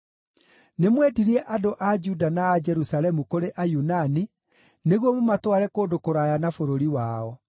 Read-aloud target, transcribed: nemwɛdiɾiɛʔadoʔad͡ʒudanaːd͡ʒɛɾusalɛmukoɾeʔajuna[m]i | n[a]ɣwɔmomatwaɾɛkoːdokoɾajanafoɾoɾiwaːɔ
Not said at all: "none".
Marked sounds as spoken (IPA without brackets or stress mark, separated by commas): n, e